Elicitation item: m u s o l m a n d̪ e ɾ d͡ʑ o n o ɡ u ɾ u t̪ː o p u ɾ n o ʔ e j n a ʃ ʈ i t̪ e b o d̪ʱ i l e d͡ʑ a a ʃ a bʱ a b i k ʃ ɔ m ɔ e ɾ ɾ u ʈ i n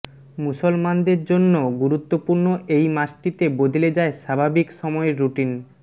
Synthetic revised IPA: m u s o l m a n d̪ e ɾ d͡ʑ o nː o ɡ u ɾ u t̪ː o p u ɾ n o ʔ e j m a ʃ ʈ i t̪ e b o d̪ʱ i l e d͡ʑ a e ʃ a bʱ a b i k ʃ ɔ m ɔ e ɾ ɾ u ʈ i n